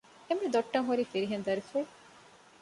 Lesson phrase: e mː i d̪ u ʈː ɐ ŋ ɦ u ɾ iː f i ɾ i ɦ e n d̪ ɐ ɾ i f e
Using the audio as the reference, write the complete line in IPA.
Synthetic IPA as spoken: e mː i d̪ o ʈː ɐ ŋ ɦ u ɾ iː f i ɾ i ɦ e n d̪ ɐ ɾ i f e